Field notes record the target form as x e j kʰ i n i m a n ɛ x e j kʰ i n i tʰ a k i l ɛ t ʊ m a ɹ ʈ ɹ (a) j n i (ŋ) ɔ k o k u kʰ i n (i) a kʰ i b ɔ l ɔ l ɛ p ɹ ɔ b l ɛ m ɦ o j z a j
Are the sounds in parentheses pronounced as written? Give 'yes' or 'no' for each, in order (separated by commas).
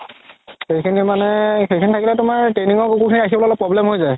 no, yes, yes